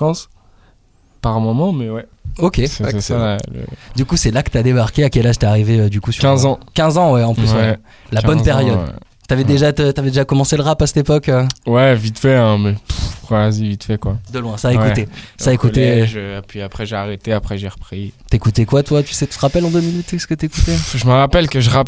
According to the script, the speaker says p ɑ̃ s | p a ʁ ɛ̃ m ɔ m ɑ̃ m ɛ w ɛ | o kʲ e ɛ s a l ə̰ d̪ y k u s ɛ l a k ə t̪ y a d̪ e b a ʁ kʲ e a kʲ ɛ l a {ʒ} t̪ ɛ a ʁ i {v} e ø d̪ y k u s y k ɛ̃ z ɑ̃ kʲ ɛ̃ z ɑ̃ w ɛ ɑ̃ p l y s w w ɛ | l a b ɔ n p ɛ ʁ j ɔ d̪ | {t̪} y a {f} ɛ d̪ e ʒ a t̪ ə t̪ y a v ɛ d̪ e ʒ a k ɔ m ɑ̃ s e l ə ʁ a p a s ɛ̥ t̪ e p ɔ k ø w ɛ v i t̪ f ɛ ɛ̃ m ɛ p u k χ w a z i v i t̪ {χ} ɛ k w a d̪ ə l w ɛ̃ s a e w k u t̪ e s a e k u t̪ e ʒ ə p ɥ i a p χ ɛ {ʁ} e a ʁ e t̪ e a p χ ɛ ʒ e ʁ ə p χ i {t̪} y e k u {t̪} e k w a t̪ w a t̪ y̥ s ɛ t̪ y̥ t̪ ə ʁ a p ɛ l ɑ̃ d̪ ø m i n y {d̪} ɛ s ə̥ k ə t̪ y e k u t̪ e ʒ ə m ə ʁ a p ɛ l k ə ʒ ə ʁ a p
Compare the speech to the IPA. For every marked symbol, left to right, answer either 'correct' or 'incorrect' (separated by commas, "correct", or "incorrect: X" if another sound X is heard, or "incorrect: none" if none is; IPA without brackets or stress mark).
correct, correct, correct, incorrect: v, incorrect: f, incorrect: ʒ, correct, correct, incorrect: t̪